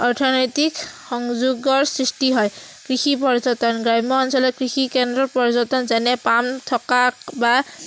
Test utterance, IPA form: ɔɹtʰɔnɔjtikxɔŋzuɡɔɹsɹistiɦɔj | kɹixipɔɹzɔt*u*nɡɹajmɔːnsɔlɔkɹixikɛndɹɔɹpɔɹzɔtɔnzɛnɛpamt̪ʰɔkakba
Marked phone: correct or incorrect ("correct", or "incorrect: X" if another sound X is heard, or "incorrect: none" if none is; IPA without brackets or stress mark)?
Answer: incorrect: ɔ